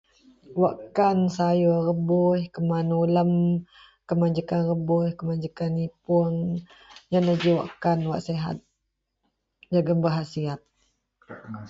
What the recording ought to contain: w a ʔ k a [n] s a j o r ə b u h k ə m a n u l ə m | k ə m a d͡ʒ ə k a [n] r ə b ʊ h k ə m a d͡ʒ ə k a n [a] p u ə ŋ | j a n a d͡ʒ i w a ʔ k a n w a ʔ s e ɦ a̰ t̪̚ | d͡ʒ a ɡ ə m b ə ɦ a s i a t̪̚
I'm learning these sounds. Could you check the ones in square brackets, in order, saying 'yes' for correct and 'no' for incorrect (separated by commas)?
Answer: yes, yes, no